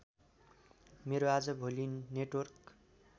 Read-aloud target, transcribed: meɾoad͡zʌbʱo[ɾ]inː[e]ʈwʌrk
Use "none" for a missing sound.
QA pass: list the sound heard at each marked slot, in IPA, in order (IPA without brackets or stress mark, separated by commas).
l, e